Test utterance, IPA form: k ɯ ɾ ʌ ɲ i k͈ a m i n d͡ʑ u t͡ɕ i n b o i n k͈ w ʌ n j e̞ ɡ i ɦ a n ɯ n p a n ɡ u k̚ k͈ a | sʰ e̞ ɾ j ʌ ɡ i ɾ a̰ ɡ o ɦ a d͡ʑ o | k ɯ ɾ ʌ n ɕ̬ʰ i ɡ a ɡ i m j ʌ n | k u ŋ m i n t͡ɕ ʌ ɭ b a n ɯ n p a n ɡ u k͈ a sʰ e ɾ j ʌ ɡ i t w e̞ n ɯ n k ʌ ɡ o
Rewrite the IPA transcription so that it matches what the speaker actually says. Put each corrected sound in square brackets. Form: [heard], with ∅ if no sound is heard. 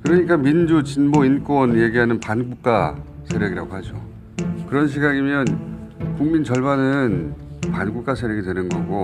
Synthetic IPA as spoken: k ɯ ɾ ʌ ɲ i k͈ a m i n d͡ʑ u t͡ɕ i n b o i n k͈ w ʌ n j e̞ ɡ i ɦ a n ɯ n p a n ɡ u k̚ k͈ a | sʰ e̞ ɾ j ʌ ɡ i ɾ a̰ ɡ o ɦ a d͡ʑ o | k ɯ ɾ ʌ n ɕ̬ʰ i ɡ a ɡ i m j ʌ n | k u ŋ m i n t͡ɕ ʌ ɭ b a n ɯ n p a n ɡ u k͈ a sʰ e ɾ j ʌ ɡ i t w e̞ n ɯ n [ɡ] ʌ ɡ o